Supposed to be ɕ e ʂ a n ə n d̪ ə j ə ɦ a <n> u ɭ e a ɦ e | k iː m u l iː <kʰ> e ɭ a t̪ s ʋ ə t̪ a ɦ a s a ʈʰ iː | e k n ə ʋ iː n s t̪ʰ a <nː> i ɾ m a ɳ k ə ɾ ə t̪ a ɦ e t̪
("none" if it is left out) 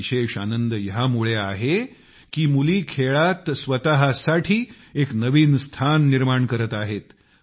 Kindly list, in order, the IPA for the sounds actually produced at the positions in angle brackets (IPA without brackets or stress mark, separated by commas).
m, kʰ, nː